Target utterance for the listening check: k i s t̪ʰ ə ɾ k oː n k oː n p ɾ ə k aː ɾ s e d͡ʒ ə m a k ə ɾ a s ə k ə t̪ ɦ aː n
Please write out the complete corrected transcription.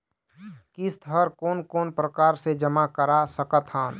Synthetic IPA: k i s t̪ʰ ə ɾ k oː n k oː n p ɾ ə k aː ɾ s e d͡ʒ ə m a k ə ɾ a s ə k ə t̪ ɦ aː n